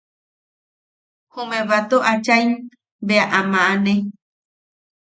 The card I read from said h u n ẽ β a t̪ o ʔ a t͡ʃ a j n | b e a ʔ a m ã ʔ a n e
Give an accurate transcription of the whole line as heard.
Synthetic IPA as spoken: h u m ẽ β a t̪ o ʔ a t͡ʃ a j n | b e a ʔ a m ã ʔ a n e